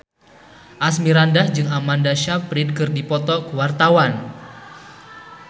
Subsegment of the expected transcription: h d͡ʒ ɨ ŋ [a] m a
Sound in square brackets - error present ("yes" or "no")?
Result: no